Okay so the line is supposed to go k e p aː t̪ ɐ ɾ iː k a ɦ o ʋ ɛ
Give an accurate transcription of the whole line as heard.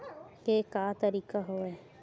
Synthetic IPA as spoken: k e k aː t̪ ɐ ɾ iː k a ɦ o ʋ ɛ